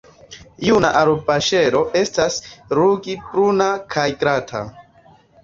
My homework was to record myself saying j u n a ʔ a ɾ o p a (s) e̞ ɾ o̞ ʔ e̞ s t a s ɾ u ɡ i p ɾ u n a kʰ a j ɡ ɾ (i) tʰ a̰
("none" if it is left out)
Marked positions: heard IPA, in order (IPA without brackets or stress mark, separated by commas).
ʃ, a